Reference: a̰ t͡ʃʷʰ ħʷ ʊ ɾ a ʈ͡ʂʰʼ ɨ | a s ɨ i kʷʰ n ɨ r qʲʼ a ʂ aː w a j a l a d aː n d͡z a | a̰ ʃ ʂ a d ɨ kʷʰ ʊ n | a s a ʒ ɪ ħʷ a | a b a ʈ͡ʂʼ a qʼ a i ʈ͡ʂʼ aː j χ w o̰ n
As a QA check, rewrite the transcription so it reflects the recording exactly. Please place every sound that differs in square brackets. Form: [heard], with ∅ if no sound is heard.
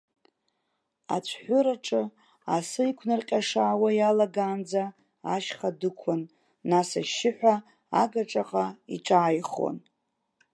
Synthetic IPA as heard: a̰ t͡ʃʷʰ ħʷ ʊ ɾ a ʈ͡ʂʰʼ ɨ | a s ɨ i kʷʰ n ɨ r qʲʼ a ʂ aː w a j a l a [ɡ] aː n d͡z a | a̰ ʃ [χ] a d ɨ kʷʰ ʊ [nː] | a s a [ʃ] ɪ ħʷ a | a [ɡ] a ʈ͡ʂʼ a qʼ a i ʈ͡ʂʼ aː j χ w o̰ n